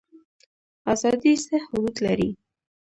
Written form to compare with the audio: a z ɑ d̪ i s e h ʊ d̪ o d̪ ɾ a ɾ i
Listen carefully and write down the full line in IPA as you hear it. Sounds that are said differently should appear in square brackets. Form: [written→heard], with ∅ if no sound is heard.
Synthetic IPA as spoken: a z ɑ d̪ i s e h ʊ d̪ [o→u] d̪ [ɾ→l] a ɾ i